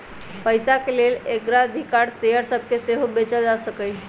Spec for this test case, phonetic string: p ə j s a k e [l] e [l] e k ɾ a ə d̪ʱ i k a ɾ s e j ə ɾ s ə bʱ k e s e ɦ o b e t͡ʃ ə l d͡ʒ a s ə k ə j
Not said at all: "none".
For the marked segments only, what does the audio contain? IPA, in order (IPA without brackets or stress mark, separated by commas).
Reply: l, l